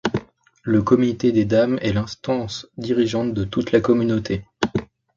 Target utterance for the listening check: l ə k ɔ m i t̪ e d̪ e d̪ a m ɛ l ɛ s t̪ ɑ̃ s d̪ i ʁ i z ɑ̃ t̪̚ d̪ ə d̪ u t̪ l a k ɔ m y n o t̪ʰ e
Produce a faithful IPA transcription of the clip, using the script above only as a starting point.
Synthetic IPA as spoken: l ə k ɔ m i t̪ e d̪ e d̪ a m ɛ l ɛ̃ s t̪ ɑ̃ s d̪ i ʁ i ʒ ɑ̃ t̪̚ d̪ ə t̪ u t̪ l a k ɔ m y n o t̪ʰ e